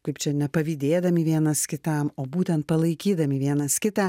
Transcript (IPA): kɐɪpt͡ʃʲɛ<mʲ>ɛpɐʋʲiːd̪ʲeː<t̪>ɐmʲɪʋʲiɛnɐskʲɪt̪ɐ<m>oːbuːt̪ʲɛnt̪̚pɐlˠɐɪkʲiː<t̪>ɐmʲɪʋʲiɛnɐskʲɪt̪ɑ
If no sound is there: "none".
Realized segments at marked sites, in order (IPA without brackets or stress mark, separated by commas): nʲ, d̪, m, d̪